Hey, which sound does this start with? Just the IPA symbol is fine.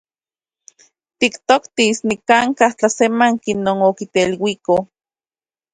t̪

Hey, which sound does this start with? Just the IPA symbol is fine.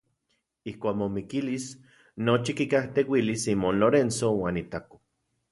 i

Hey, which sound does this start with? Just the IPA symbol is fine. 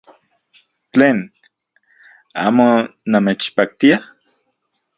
t͡ɬ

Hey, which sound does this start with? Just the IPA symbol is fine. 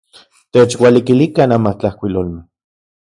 t̪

